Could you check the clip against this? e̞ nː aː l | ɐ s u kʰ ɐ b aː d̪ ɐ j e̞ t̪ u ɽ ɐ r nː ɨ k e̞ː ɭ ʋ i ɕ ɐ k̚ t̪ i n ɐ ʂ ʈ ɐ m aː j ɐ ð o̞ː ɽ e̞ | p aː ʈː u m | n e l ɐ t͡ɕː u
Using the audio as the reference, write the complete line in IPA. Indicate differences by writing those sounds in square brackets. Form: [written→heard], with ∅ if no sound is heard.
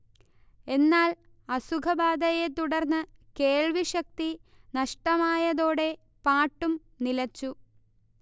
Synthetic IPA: e̞ nː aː l | ɐ s u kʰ ɐ b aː d̪ ɐ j e̞ t̪ u ɽ ɐ r nː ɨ k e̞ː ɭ ʋ i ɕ ɐ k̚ t̪ i n ɐ ʂ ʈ ɐ m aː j ɐ ð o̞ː ɽ e̞ | p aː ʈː u m | n [e→i] l ɐ t͡ɕː u